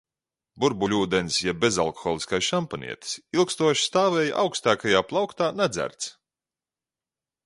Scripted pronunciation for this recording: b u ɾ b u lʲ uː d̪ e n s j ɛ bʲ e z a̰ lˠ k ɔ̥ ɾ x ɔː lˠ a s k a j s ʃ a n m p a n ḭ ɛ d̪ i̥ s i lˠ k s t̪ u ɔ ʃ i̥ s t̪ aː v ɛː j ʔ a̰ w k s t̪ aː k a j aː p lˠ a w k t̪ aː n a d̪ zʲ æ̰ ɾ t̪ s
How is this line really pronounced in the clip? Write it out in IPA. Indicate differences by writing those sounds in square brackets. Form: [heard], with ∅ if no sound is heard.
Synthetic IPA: b u ɾ b u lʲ uː d̪ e n s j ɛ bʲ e z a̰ lˠ k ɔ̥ [∅] x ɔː lˠ [i] s k a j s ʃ a [∅] m p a n ḭ ɛ [t̪] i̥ s i lˠ k s t̪ u ɔ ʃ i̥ s t̪ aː v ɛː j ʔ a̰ w k s t̪ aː k a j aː p lˠ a w k t̪ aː n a d̪ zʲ æ̰ ɾ t̪ s